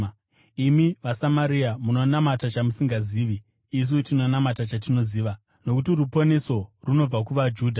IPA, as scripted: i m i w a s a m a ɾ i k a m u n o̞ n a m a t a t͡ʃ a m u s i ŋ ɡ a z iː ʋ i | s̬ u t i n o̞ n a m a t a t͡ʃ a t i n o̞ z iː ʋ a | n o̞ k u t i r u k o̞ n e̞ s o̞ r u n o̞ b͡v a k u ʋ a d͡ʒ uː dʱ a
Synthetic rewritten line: i m i ʋ a s a m a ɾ i a m u n o̞ n a m a t a t͡ʃ a m u s i ŋ ɡ a z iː ʋ iː | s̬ u t i n o̞ n a m a t a t͡ʃ a t i n o̞ z iː ʋ a | n o̞ k u t i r u p o̞ n e̞ s o̞ r u n o̞ b͡v a k u ʋ a d͡ʒ uː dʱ a